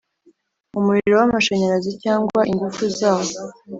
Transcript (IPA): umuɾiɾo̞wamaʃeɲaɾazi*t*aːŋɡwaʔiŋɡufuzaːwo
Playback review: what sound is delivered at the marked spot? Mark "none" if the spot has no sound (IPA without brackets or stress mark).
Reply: c